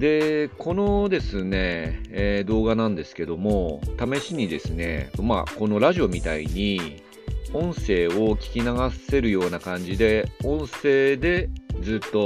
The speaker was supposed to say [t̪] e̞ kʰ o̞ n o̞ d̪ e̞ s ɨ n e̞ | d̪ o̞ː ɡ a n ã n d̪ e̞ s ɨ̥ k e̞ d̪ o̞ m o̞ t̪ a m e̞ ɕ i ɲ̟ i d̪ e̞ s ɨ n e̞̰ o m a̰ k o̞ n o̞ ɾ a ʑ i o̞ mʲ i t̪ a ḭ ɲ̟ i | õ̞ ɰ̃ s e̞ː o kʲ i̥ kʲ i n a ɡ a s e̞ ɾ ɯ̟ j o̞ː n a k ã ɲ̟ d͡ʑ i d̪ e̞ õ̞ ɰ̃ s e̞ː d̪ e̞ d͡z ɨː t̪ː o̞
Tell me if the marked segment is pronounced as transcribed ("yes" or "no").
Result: no